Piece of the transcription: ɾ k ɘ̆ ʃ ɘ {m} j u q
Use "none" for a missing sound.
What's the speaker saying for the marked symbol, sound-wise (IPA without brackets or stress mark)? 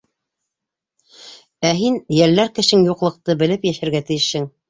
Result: ŋ